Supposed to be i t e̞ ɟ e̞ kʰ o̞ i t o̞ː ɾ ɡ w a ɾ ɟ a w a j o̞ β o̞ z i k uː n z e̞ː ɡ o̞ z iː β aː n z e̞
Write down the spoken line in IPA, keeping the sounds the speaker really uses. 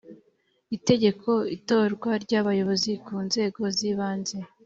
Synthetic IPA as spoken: i t e̞ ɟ e̞ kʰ o̞ i t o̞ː ɾ ɡ w a ɾ ɟ a β a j o̞ β o̞ z i k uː n z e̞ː ɡ o̞ z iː β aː n z e̞